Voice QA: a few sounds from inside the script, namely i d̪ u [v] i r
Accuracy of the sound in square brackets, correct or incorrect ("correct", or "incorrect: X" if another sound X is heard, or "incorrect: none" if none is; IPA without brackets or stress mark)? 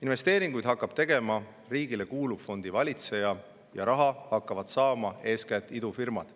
incorrect: f